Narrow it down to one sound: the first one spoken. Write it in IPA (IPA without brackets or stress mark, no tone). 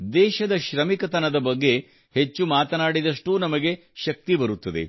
d̪